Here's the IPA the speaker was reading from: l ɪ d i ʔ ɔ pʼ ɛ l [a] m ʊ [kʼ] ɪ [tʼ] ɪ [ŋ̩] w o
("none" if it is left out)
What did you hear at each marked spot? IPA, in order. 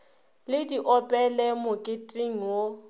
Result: ɛ, kʼ, tʼ, ŋ̩

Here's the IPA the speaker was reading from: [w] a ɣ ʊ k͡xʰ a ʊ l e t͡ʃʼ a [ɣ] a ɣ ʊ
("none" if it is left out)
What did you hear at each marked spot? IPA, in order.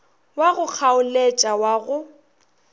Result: w, w

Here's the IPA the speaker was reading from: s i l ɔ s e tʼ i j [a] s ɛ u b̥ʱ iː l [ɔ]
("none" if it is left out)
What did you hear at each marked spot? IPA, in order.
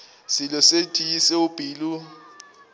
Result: i, u

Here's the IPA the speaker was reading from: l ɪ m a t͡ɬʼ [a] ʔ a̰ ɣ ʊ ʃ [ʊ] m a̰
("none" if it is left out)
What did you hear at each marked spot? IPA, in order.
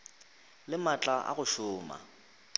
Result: a, ʊː

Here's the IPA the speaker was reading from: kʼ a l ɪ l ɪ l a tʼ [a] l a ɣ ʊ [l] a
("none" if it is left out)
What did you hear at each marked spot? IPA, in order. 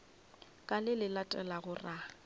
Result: ɛ, r

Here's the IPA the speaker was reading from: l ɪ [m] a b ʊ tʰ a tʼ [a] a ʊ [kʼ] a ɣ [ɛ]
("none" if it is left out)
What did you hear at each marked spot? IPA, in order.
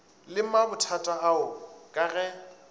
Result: m, a, kʼ, ɛ

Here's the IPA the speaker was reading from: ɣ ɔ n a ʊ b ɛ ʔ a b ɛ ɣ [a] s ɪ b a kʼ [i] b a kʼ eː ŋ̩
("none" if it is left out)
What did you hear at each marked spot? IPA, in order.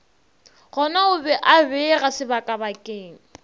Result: a, a

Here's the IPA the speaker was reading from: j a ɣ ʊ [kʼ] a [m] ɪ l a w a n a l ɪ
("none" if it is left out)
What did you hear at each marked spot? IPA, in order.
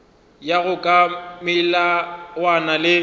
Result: kʼ, m

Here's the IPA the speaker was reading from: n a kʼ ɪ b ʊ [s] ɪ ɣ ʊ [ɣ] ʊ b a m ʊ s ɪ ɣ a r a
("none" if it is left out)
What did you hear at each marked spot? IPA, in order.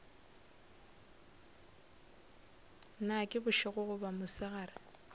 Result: ʃ, ɣ

